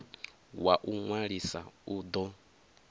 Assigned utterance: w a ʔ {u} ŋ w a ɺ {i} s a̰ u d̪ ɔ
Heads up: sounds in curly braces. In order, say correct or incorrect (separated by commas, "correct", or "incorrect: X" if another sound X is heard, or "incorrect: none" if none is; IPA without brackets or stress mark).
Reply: correct, correct